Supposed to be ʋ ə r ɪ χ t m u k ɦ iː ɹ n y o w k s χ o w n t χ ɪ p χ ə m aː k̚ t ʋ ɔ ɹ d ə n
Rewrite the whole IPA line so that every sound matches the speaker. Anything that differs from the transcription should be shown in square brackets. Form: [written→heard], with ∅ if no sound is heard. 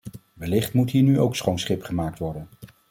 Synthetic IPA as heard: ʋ ə [r→l] ɪ χ t m u [k→t] ɦ iː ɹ n y o w k s χ o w n [t→s] χ ɪ p χ ə m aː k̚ t ʋ ɔ ɹ d ə n